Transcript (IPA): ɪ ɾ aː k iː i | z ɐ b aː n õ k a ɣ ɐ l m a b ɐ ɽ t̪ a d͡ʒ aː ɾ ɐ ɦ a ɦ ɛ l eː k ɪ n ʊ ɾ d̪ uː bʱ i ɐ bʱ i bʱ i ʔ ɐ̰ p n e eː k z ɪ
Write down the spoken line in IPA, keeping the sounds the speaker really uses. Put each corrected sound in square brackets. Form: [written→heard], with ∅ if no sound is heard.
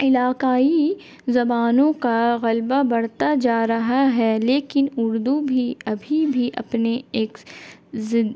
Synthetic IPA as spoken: ɪ [ɾ→l] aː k [iː→aː] i | z ɐ b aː n õ k a ɣ ɐ l [m→b] a b ɐ ɽ t̪ a d͡ʒ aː ɾ ɐ ɦ a ɦ ɛ l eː k ɪ n ʊ ɾ d̪ [uː→u] bʱ i ɐ bʱ i bʱ i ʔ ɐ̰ p n e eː k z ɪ